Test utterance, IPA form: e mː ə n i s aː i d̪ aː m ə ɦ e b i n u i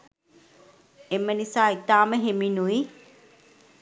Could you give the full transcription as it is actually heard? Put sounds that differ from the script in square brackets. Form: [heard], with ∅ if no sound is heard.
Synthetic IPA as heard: e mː ə n i s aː i [t̪] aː m ə ɦ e [m] i n u i